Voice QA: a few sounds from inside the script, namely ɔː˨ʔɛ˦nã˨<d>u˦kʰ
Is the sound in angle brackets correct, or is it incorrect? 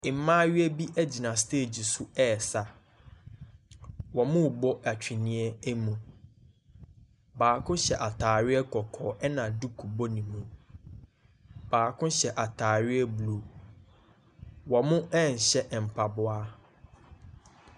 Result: correct